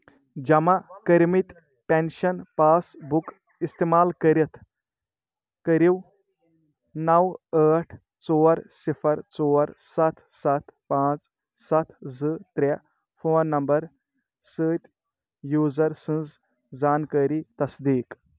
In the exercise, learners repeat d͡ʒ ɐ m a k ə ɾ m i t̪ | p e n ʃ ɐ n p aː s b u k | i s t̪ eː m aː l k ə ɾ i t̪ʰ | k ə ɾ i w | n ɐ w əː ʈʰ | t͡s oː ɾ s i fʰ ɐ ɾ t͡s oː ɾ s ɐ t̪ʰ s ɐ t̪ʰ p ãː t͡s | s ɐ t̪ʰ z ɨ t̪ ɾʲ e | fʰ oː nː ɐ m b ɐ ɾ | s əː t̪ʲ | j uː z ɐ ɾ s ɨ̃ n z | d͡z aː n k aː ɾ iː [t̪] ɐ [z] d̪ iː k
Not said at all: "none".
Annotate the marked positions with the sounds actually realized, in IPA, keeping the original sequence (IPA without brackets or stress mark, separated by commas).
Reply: t̪, s